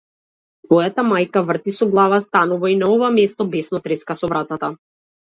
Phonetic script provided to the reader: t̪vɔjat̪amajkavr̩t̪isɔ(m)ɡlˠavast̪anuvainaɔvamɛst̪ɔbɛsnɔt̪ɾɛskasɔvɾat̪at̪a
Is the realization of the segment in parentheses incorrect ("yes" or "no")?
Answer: yes